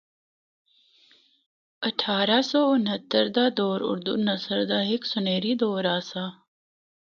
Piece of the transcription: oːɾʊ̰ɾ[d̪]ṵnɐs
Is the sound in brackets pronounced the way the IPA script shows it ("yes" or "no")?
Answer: yes